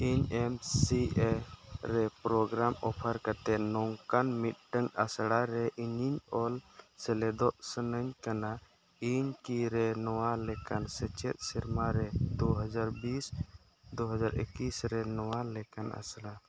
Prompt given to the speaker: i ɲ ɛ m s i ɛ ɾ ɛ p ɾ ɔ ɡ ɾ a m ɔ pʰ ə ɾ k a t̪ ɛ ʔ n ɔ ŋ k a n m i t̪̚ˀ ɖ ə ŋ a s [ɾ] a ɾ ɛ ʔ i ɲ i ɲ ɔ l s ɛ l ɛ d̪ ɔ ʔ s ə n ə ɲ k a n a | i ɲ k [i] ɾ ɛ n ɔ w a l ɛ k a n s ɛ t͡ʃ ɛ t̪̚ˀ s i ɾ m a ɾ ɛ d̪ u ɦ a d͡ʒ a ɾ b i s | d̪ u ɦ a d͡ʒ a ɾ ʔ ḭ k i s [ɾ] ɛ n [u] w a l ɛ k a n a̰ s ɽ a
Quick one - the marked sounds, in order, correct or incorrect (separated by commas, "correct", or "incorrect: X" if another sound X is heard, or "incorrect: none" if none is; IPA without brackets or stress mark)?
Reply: incorrect: ɽ, correct, correct, incorrect: ɔ